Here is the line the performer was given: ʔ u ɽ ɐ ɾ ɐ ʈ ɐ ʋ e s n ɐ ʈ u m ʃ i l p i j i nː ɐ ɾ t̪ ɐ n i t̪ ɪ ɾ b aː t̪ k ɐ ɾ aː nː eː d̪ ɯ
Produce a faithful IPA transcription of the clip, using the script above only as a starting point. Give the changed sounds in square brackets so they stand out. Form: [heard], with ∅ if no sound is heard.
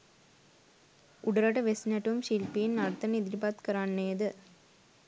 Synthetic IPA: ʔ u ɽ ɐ ɾ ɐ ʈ ɐ ʋ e s n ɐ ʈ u m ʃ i l p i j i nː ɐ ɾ t̪ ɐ n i [d̪] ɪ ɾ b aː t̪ k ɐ ɾ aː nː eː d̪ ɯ